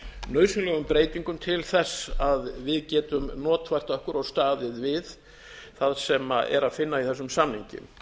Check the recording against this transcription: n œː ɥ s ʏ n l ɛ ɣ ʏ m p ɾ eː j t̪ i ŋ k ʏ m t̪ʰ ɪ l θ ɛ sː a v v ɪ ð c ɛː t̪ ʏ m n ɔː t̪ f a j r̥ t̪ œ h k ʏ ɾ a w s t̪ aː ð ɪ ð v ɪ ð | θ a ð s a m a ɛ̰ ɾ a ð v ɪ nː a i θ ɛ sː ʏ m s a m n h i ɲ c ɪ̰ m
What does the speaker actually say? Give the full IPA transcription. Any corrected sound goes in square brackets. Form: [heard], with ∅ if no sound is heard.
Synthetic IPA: n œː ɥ s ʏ n l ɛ ɣ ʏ m p ɾ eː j t̪ i ŋ k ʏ m t̪ʰ ɪ l θ ɛ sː a [ð] v ɪ ð c ɛː t̪ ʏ m n ɔː t̪ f a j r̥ t̪ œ h k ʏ ɾ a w s t̪ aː ð ɪ ð v ɪ ð | θ a ð s [ɛ] m a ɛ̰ ɾ a ð [f] ɪ nː a i θ ɛ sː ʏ m s a m n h i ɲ c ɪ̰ m